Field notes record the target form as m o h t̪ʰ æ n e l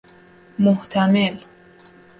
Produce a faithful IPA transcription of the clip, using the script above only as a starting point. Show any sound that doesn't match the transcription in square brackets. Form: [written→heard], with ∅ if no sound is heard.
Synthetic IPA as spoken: m o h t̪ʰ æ [n→m] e l